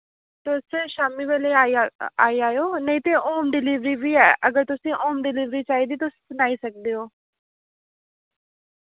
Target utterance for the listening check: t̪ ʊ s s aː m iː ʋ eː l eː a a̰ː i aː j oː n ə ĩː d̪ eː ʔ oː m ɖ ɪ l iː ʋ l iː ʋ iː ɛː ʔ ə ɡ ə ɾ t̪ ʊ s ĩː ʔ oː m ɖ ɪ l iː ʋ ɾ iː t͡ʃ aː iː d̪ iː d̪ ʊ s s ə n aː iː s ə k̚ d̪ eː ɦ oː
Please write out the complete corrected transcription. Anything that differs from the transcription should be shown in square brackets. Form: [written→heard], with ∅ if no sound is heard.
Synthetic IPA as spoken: t̪ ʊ s [s→ʃ] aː m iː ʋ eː l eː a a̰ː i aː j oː n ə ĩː [d̪→t̪] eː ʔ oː m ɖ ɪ l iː ʋ [l→ɾ] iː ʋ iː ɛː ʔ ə ɡ ə ɾ t̪ ʊ s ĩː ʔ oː m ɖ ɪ l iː ʋ ɾ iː t͡ʃ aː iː d̪ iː [d̪→t̪] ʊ s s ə n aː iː s ə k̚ d̪ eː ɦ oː